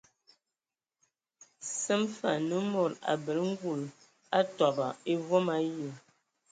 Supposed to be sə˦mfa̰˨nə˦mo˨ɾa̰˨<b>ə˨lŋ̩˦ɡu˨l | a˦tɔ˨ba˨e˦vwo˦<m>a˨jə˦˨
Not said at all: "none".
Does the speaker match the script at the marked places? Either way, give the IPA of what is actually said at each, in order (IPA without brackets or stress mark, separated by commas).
b, m